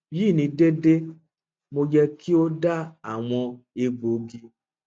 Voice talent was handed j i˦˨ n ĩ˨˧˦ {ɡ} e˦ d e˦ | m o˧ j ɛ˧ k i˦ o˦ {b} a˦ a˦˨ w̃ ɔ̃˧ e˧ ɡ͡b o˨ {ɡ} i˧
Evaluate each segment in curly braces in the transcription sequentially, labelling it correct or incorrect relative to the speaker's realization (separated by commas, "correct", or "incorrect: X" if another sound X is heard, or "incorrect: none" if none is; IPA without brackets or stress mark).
incorrect: d, incorrect: d, correct